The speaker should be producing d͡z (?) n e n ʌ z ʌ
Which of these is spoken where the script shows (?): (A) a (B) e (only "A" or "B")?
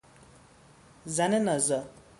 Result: A